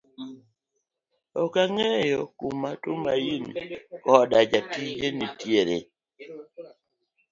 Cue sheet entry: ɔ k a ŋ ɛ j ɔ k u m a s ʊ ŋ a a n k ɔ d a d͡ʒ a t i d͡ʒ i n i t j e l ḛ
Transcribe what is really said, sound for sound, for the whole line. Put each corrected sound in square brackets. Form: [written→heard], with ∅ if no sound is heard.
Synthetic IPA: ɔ k a ŋ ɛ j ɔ k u m a [s→t] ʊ [ŋ→m] a [a→i] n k ɔ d a d͡ʒ a t i d͡ʒ [i→e] n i t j e [l→ɾ] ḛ